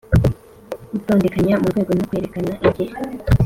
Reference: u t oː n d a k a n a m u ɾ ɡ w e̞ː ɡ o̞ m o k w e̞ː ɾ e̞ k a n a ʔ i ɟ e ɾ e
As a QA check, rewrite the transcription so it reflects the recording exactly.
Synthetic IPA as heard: u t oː n d e k a ɲ a m u ɾ ɡ w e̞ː ɡ o̞ n o k w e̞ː ɾ e̞ k a n a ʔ i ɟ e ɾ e